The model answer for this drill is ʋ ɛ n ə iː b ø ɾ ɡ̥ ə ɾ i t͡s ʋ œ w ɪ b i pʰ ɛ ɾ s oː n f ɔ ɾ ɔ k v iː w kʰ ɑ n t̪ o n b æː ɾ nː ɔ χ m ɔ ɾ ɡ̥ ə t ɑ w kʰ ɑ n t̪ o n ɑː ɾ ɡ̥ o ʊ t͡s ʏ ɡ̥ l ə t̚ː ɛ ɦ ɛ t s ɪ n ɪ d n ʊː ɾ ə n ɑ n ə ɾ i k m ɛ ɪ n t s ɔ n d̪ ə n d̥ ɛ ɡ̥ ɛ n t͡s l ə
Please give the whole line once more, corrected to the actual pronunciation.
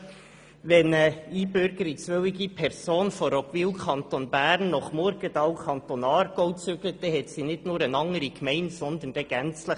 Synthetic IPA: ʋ ɛ n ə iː b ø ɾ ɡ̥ ə ɾ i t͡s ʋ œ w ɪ ɡ i pʰ ɛ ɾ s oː n f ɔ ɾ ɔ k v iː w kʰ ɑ n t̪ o n b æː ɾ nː ɔ χ m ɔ ɾ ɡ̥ ə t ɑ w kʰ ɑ n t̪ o n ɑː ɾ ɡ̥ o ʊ t͡s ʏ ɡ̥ l ə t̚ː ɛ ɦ ɛ t s i n ɪ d n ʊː ɾ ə n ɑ ŋ ə ɾ i k m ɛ ɪ n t s ɔ n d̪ ə n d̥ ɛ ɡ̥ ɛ n t͡s l ə